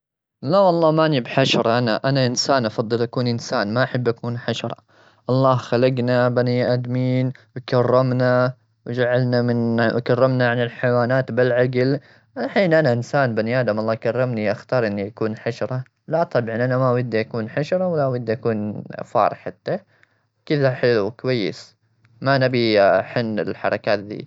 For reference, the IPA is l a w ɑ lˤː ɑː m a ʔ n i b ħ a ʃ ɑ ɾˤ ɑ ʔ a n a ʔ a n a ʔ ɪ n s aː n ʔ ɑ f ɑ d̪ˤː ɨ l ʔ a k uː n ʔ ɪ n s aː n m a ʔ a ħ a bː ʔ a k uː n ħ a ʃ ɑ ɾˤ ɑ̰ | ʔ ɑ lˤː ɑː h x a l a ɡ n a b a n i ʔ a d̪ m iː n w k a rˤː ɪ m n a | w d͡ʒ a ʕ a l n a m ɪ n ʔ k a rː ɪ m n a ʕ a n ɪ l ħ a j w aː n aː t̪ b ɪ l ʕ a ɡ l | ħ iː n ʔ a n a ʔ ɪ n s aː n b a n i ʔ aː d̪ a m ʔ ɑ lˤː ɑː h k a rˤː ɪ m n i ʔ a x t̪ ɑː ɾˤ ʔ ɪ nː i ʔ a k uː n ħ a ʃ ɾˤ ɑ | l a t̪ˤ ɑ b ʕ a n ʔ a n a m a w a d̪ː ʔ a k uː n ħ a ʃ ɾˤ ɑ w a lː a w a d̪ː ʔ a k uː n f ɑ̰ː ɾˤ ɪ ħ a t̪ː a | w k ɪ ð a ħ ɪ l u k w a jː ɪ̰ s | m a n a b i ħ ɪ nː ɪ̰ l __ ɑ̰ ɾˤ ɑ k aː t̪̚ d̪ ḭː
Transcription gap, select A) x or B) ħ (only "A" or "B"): B